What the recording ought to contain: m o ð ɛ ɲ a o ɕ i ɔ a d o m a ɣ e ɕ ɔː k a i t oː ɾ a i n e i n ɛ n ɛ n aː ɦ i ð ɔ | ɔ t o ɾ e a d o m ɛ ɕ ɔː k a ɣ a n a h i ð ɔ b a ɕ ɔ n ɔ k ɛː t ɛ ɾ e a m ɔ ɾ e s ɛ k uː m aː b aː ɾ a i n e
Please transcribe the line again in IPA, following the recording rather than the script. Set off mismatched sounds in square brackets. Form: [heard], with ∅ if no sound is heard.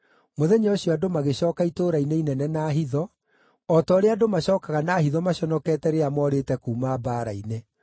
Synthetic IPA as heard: m o ð ɛ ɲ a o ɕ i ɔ a d o m a ɣ e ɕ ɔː k a i t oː ɾ a i n e i n ɛ n ɛ n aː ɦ i ð ɔ | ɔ t [ɔ] ɾ e a d o m [a] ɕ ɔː k a ɣ a n a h i ð ɔ [m] a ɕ ɔ n ɔ k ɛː t ɛ ɾ e a m ɔ ɾ e [t] ɛ k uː m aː b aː ɾ a i n e